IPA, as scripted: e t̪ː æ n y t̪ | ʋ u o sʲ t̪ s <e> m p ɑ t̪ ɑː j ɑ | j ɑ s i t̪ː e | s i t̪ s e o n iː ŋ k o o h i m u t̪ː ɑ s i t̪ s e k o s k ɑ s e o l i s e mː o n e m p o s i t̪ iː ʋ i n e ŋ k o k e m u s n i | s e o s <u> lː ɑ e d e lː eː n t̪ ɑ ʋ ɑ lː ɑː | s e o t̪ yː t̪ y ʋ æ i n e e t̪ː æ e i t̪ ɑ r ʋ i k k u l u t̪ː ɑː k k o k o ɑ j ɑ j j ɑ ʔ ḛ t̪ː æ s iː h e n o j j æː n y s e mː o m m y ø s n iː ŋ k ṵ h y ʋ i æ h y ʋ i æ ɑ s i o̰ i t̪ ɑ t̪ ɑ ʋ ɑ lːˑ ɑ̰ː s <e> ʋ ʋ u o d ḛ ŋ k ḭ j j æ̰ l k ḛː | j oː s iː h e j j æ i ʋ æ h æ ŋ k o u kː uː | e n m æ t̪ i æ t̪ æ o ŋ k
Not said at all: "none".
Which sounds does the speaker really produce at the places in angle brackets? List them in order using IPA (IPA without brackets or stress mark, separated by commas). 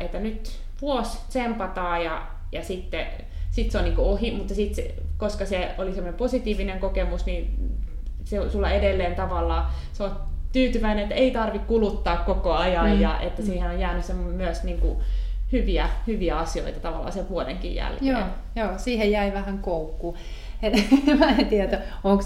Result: e, u, e